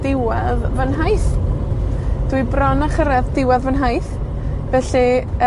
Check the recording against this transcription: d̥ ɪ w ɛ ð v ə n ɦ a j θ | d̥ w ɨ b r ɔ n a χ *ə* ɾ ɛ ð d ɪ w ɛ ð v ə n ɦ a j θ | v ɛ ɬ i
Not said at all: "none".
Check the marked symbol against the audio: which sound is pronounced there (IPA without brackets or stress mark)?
ə